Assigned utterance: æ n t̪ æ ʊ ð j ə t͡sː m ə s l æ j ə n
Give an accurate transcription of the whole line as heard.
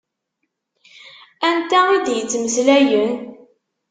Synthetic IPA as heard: æ n t̪ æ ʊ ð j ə t͡sː m ə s l æ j ə n